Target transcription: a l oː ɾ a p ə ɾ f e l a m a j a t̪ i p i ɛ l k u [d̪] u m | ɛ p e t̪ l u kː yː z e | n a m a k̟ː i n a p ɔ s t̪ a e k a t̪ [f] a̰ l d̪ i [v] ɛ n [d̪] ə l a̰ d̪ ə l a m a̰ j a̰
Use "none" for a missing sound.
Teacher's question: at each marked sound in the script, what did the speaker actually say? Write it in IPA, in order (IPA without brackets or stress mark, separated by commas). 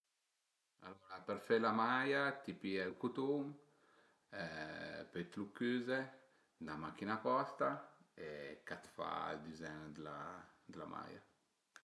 t̪, f, z, d̪